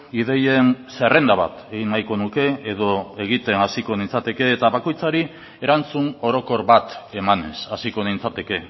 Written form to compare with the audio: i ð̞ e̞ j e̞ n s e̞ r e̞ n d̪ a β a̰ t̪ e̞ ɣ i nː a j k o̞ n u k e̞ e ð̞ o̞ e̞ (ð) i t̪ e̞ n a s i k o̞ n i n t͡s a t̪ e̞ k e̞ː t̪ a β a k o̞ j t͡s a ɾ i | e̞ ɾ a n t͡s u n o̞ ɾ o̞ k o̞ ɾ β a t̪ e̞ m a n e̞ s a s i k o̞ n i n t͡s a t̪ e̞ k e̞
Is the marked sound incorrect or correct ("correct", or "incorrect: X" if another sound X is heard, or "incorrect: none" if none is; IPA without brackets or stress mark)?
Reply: incorrect: ɣ